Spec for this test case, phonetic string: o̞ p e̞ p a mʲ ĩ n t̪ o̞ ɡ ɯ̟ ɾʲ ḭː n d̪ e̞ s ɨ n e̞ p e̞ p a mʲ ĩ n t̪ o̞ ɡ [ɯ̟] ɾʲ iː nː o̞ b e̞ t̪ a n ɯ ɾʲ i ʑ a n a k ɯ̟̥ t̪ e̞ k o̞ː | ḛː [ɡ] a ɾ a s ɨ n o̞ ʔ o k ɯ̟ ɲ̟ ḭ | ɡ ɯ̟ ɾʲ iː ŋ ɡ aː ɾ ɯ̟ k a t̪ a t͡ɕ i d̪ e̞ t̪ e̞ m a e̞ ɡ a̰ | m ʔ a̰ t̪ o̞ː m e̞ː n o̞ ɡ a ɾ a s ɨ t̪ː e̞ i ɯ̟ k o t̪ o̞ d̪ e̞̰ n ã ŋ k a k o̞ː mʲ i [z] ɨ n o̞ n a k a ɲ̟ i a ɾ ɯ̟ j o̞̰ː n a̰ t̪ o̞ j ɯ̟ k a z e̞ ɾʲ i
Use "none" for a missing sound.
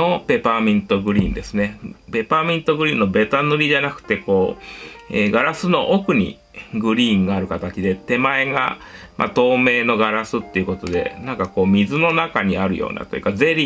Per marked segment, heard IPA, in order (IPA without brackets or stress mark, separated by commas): ɯ̟, ɡ, z